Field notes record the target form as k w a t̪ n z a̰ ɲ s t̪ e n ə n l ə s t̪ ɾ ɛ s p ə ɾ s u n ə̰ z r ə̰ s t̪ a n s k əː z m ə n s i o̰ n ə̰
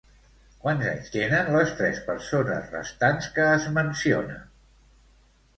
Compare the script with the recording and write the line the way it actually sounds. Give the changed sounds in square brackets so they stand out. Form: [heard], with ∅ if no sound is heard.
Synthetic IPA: k w a [∅] n z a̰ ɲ s t̪ e n ə n l ə s t̪ ɾ ɛ s p ə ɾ s [o] n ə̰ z r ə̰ s t̪ a n s k əː z m ə n s i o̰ n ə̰